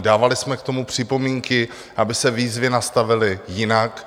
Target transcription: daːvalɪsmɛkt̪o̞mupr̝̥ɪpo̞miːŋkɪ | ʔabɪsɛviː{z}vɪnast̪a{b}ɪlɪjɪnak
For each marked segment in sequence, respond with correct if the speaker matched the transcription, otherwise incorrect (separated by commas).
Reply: correct, incorrect